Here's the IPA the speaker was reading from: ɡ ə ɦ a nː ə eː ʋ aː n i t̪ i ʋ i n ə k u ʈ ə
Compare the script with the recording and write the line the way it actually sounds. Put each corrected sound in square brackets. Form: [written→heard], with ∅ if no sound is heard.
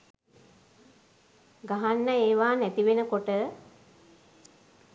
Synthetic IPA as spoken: ɡ [ə→a] ɦ a nː ə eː ʋ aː n [i→æ] t̪ i ʋ [i→e] n ə k [u→o] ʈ ə